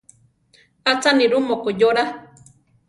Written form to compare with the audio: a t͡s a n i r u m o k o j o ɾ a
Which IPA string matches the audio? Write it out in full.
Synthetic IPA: a t͡s a n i ɾ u m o k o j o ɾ a